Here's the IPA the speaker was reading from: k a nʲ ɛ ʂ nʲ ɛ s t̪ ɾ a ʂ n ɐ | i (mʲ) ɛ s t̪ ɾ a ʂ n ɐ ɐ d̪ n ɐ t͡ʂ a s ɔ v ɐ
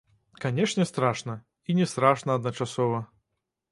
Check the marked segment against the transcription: incorrect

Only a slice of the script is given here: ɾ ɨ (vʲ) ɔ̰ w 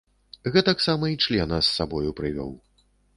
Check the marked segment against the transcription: correct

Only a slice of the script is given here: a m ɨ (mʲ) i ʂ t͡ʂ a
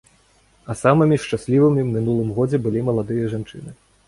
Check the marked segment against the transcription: correct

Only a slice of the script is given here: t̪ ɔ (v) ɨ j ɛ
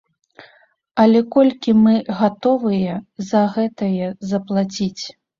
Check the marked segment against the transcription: correct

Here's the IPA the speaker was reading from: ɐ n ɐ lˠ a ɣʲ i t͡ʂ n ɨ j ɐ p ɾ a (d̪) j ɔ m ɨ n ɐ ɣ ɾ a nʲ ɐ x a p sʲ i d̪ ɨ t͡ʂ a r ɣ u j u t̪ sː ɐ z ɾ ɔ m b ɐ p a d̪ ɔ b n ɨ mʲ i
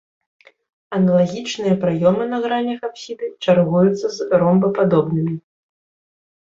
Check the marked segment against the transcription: incorrect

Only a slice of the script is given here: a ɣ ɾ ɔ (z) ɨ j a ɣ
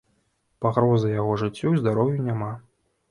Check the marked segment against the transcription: correct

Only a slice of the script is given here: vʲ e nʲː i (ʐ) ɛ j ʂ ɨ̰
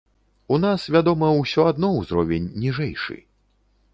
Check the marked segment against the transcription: correct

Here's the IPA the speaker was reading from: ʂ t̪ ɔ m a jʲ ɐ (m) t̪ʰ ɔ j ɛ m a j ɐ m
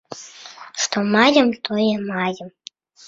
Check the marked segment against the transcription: correct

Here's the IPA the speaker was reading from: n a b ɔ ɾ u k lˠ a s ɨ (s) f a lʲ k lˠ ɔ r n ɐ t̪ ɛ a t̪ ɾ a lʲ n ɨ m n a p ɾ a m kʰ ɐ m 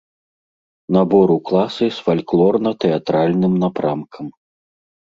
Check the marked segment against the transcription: correct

